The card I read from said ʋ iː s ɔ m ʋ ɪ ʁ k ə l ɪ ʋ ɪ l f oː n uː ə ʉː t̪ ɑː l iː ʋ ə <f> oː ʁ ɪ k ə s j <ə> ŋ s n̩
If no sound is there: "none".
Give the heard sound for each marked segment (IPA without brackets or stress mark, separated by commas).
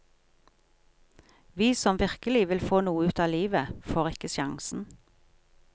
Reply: f, ɑ